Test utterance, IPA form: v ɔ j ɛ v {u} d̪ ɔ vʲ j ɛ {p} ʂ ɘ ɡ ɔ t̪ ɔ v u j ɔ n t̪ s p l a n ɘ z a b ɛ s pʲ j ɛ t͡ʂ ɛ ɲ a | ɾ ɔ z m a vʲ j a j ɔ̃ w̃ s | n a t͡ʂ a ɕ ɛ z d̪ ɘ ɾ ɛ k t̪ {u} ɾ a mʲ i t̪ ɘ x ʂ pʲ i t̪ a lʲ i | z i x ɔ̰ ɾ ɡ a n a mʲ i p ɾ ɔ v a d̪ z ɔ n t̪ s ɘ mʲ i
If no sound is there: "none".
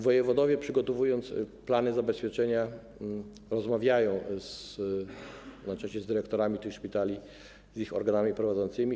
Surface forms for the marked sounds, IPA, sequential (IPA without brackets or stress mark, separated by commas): ɔ, p, ɔ